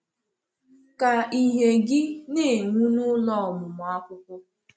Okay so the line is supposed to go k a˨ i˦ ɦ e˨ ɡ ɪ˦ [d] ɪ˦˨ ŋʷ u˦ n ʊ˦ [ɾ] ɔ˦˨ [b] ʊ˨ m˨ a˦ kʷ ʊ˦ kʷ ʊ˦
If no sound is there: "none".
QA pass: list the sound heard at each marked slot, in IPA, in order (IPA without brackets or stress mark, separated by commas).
n, l, m